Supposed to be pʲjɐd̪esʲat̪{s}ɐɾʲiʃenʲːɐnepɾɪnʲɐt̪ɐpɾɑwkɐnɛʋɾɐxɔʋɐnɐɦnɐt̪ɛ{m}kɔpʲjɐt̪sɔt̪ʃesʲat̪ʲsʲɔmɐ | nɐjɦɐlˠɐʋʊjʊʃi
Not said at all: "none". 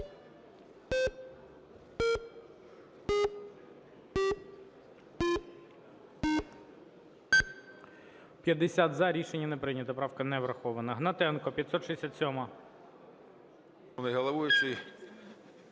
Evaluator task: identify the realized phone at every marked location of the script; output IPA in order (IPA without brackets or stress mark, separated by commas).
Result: z, n